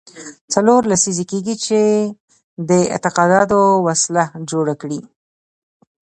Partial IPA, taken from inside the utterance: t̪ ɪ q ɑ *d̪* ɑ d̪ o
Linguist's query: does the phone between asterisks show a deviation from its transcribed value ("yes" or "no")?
no